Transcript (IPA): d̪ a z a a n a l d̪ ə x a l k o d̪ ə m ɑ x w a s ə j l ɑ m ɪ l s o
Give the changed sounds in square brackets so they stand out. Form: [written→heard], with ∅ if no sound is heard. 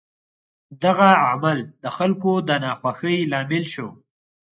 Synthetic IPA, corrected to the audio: d̪ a [z→ɣ] a a [n→m] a l d̪ ə x a l k o d̪ ə [m→n] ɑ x w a [s→x] ə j l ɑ m ɪ l [s→ʃ] o